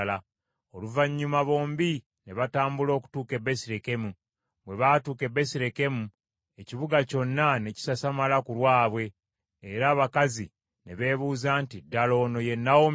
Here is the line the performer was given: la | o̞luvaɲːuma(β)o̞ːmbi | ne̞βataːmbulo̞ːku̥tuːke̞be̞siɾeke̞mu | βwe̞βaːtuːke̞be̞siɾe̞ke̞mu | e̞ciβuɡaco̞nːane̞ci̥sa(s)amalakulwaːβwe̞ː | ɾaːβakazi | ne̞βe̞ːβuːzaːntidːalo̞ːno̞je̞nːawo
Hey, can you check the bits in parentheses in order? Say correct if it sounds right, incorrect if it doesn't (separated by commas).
correct, correct